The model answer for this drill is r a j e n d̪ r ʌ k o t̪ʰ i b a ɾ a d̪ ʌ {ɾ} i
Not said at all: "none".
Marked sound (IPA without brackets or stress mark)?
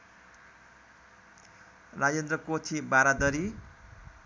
ɾ